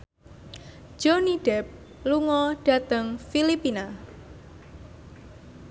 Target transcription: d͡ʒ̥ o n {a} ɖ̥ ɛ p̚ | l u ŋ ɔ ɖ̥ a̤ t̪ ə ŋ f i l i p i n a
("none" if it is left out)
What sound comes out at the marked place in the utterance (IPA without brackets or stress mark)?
i